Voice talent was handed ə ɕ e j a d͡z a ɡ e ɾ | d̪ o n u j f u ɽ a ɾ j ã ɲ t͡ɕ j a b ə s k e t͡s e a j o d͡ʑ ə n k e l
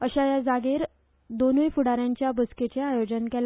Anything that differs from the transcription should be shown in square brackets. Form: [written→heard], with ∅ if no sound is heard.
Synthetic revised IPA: ə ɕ [e→a] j a d͡z a ɡ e ɾ | d̪ o n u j f u ɽ a ɾ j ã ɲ t͡ɕ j a b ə s k e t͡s e a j o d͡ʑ ə n k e l